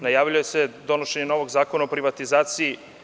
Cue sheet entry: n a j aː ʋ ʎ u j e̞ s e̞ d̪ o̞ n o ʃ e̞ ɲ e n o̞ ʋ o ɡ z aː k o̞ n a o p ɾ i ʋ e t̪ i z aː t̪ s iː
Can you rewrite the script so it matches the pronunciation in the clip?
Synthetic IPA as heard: n a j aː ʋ ʎ u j e̞ s e̞ d̪ o̞ n o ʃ e̞ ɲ e n o̞ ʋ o ɡ z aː k o̞ n a o p ɾ i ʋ a t̪ i z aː t̪ s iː